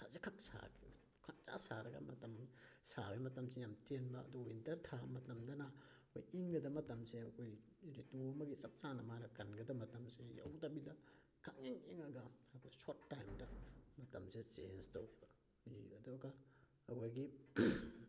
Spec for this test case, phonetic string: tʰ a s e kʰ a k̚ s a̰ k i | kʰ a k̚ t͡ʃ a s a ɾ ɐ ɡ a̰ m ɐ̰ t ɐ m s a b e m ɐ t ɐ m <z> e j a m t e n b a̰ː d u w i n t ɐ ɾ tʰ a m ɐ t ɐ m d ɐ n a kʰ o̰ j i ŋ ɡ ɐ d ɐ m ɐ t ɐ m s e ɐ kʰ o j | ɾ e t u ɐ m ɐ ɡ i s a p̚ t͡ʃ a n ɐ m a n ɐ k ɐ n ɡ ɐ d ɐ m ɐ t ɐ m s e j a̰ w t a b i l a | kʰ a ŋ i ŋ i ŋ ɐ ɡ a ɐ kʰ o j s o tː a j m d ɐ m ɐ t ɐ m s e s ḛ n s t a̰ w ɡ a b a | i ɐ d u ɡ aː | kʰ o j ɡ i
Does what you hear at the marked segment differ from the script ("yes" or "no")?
yes